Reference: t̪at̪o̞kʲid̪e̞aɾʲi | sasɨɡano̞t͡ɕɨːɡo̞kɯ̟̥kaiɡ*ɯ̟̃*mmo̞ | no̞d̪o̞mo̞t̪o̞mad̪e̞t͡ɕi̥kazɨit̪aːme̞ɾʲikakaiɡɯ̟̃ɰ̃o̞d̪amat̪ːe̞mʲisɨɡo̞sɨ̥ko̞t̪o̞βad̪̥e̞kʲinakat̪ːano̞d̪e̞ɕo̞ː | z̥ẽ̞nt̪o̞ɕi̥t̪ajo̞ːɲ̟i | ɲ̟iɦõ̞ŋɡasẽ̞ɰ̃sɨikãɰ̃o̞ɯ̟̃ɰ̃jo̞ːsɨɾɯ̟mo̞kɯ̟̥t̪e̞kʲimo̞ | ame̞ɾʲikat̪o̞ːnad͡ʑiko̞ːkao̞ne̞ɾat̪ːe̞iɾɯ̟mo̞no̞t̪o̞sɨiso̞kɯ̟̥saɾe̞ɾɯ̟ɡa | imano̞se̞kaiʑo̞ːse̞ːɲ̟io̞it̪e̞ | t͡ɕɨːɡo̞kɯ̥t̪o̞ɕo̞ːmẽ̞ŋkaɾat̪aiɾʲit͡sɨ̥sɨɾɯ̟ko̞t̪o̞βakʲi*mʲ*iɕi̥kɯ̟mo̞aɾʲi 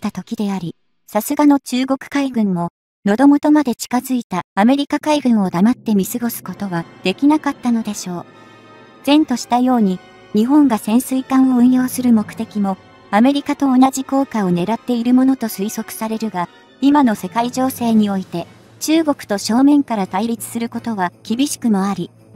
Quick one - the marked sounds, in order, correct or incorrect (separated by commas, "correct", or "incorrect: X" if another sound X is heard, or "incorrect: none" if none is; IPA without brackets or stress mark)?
correct, incorrect: bʲ